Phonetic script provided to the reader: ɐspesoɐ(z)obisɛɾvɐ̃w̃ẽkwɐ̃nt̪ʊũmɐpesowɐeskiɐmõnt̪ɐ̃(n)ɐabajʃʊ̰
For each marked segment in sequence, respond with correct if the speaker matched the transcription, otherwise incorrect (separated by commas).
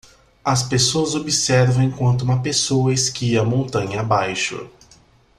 correct, incorrect